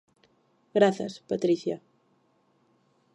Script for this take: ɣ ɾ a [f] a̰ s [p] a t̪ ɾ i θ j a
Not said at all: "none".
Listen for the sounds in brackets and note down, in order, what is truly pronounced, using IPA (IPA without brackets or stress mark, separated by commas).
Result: θ, p